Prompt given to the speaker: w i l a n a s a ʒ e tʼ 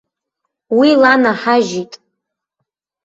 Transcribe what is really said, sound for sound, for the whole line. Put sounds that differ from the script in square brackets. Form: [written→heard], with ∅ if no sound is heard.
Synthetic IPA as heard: w i l a n a [s→ħ] a ʒ [e→i] tʼ